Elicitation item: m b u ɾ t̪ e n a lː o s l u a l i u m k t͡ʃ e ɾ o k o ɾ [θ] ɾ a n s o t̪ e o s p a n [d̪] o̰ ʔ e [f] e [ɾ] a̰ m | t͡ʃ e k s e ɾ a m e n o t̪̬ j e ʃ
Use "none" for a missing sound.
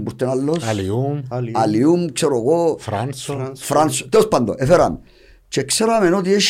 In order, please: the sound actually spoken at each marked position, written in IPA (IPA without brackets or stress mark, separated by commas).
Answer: f, d̪, f, ɾ